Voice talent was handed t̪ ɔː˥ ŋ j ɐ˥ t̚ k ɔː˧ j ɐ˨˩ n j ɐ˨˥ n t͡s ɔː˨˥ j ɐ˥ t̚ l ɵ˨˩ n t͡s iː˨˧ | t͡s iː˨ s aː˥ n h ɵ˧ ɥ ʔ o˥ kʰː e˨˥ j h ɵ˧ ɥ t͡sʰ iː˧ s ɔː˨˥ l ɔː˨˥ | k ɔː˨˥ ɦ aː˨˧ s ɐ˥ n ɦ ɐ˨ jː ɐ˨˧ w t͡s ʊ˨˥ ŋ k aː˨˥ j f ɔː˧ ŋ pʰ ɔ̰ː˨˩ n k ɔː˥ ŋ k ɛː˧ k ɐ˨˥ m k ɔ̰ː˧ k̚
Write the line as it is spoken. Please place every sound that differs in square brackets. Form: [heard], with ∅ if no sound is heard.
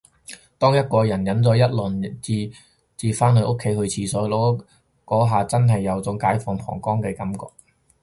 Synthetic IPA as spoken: t̪ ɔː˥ ŋ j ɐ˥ t̚ k ɔː˧ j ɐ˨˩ n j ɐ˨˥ n t͡s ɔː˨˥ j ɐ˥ t̚ l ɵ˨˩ n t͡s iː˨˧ | t͡s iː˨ [f] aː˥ n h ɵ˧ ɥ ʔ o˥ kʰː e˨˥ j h ɵ˧ ɥ t͡sʰ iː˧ s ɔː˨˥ l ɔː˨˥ | k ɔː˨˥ ɦ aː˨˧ [t͡s] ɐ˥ n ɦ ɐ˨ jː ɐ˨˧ w t͡s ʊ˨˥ ŋ k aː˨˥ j f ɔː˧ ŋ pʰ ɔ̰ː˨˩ [ŋ] k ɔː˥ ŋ k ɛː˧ k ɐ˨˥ m k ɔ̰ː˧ k̚